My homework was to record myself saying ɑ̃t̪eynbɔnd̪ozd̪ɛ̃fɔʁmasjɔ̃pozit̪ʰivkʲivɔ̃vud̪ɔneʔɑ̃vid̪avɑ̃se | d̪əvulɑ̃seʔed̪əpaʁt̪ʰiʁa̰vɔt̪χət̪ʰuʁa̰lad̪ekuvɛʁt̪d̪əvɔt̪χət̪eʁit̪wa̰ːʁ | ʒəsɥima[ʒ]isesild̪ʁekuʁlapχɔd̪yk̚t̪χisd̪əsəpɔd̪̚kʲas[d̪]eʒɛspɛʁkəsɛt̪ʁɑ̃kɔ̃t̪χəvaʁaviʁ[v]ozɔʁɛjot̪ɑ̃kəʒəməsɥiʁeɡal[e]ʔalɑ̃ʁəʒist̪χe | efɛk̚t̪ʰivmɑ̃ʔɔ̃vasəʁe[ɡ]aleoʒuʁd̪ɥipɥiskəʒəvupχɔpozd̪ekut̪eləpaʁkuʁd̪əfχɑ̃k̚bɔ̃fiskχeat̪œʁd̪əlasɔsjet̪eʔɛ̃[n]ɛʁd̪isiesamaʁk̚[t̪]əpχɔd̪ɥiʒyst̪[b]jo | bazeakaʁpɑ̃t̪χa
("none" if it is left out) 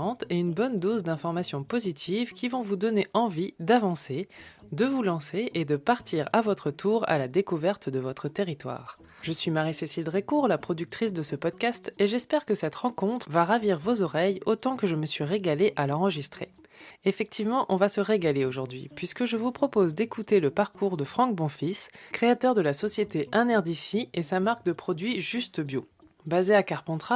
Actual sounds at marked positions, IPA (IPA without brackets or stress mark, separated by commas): ʁ, t̪, v, e, ɡ, n, d̪, b